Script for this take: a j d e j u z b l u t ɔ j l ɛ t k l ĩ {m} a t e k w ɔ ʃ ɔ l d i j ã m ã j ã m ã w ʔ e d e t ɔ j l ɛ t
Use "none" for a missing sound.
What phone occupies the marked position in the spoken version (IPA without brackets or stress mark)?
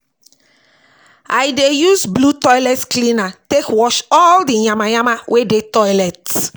n